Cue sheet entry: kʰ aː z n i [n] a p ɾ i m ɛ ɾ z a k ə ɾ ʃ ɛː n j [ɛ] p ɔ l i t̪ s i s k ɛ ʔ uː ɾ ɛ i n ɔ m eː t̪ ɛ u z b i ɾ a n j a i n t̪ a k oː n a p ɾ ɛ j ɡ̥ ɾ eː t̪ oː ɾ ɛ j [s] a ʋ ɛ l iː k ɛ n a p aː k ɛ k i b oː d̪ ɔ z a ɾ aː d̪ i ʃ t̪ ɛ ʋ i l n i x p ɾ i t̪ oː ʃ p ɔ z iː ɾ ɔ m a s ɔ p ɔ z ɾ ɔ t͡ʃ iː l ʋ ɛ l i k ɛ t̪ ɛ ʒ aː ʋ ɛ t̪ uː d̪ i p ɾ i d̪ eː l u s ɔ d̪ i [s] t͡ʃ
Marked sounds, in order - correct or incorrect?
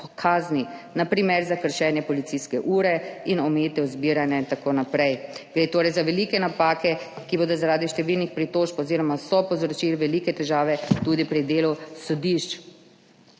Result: correct, correct, incorrect: z, incorrect: ʃ

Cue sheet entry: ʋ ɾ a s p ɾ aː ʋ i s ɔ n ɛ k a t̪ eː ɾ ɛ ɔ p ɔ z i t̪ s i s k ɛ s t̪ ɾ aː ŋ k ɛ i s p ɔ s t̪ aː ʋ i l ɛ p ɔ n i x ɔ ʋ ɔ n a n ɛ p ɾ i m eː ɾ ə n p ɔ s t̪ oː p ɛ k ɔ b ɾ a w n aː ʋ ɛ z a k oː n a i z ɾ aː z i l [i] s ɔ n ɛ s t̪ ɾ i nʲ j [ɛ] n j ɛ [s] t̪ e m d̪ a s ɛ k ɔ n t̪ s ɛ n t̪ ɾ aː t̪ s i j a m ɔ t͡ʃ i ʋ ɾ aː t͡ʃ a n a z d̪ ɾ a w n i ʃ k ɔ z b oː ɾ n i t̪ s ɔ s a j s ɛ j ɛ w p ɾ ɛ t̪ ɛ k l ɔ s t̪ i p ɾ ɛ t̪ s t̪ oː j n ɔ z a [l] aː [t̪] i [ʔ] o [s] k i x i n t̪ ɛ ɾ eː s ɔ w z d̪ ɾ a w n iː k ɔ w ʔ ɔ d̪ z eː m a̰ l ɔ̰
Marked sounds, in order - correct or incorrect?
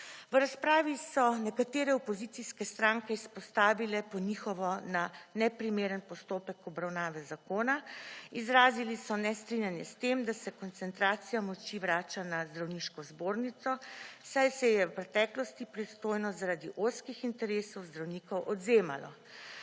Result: correct, incorrect: a, correct, incorrect: ɾ, incorrect: d̪, correct, correct

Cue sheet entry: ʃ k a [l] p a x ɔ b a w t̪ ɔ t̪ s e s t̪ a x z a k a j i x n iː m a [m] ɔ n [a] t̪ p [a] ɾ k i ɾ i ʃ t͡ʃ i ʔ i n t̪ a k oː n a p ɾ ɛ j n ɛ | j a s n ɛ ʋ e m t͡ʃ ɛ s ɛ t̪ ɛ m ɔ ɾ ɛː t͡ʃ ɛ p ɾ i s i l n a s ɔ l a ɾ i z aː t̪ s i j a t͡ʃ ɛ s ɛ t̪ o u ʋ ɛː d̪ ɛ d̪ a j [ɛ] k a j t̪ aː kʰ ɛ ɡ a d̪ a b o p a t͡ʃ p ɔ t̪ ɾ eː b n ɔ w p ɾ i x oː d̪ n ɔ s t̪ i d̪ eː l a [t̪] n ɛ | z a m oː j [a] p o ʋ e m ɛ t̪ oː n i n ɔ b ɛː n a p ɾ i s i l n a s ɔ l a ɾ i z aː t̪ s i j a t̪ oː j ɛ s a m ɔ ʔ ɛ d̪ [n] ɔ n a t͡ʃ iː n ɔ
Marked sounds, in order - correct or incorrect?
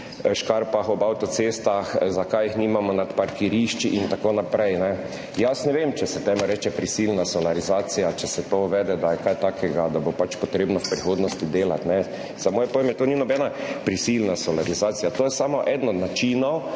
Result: incorrect: ɾ, correct, correct, correct, correct, correct, incorrect: ɛ, correct

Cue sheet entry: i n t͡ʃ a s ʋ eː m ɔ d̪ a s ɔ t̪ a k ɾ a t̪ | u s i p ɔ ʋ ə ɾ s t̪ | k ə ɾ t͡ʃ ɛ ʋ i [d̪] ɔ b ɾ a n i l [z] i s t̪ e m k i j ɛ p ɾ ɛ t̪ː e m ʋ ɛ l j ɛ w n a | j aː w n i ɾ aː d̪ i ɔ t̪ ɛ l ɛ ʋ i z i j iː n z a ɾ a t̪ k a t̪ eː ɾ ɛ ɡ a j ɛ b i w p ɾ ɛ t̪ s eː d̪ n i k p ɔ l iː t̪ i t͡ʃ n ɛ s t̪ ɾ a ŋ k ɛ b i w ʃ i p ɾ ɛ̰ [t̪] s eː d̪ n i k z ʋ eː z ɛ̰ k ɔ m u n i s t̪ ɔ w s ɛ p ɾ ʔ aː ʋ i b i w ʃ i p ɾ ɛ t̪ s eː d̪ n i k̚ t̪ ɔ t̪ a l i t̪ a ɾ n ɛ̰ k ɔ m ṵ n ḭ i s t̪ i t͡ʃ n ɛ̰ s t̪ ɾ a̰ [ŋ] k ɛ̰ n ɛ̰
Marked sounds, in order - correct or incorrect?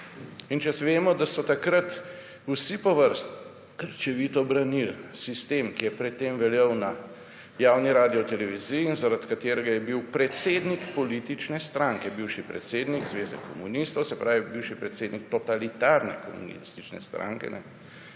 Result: incorrect: t̪, incorrect: s, correct, correct

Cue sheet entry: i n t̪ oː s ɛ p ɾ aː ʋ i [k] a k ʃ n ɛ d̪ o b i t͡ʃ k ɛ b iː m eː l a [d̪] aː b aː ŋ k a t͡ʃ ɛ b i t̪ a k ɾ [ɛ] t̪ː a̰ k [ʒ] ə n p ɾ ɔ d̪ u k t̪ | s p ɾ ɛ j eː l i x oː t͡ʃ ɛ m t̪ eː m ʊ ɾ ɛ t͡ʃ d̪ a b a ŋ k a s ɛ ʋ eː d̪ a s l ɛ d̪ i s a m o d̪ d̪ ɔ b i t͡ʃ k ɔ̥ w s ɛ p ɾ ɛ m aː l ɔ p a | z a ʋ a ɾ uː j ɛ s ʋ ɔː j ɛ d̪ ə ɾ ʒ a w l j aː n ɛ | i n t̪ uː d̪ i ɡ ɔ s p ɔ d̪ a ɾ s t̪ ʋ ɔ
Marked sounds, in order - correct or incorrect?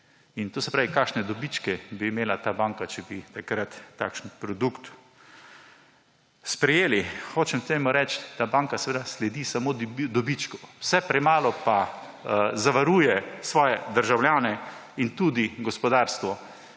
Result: correct, incorrect: t̪, incorrect: a, incorrect: ʃ

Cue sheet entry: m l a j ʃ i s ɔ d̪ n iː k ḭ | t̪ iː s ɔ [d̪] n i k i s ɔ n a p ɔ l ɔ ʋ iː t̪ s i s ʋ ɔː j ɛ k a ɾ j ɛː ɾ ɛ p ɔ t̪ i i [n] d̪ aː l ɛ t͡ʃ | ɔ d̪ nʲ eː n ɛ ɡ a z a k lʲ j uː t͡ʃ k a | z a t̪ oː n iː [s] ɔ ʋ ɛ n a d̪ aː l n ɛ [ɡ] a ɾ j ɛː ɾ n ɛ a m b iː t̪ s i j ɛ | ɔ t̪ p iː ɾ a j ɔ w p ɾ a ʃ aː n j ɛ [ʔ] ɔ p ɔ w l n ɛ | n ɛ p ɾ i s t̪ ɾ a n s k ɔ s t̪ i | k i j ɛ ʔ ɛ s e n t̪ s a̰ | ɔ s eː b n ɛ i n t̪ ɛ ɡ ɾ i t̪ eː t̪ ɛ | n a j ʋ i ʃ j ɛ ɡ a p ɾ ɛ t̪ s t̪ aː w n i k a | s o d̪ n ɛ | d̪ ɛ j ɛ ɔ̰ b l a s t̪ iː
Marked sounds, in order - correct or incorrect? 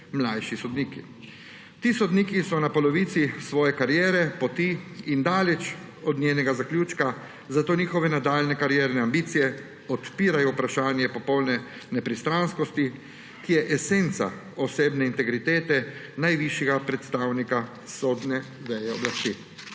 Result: correct, correct, incorrect: x, incorrect: k, incorrect: p

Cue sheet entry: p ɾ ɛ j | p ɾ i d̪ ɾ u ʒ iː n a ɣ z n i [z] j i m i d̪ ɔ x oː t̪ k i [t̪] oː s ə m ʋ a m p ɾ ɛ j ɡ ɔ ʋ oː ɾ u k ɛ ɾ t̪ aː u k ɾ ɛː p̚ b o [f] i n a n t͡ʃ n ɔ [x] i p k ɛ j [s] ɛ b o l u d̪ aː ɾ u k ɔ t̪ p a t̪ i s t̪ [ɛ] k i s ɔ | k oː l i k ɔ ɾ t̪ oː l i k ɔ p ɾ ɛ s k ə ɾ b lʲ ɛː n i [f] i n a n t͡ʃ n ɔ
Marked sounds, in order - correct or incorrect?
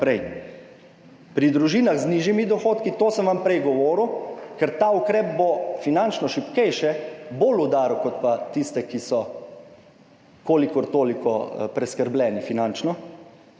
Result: incorrect: ʒ, correct, correct, incorrect: ʃ, incorrect: ʃ, correct, correct

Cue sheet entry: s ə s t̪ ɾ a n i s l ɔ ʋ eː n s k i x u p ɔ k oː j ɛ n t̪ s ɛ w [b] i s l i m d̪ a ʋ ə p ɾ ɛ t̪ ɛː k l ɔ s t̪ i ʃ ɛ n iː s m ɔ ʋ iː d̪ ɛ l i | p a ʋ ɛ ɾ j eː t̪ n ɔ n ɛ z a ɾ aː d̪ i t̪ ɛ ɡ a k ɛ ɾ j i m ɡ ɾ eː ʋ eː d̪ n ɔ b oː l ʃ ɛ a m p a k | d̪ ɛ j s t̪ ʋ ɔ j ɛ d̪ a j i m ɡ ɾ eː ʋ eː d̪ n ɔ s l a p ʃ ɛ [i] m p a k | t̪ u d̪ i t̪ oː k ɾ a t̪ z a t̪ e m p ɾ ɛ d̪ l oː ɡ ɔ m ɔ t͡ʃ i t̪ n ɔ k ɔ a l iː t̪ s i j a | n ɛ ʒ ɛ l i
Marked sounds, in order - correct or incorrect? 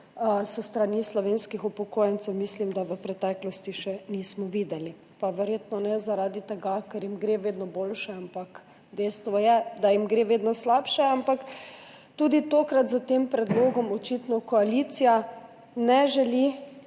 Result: incorrect: m, incorrect: a

